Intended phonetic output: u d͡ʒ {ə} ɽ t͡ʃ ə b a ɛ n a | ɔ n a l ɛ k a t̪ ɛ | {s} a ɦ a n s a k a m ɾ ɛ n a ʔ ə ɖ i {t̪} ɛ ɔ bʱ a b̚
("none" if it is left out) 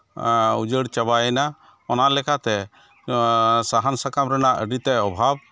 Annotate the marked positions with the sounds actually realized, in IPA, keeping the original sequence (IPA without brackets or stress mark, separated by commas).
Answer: ə, s, t̪